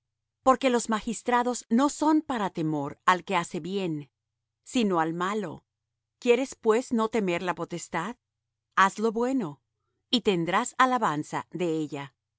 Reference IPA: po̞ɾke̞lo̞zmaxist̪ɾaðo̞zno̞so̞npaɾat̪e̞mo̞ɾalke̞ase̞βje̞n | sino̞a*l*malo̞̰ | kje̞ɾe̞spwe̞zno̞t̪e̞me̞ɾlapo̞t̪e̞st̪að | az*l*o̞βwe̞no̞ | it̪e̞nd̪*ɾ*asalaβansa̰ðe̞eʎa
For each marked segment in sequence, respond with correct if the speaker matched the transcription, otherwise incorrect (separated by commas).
correct, correct, correct